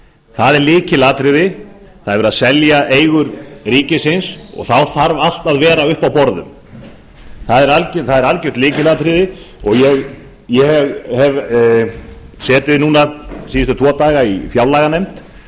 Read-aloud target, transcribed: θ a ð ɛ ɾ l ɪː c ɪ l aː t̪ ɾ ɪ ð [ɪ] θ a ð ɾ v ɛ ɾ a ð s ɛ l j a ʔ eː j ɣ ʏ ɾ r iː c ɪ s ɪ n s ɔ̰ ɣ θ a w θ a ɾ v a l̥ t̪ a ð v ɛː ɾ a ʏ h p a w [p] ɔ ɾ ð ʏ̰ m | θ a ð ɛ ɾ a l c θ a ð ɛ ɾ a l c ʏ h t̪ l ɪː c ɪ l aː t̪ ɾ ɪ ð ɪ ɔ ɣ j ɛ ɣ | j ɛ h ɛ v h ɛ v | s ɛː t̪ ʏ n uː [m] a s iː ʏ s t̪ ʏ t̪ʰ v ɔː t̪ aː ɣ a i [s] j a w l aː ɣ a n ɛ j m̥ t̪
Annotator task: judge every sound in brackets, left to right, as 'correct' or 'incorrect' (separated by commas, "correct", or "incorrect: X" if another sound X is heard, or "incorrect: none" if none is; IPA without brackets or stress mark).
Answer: correct, correct, incorrect: n, incorrect: f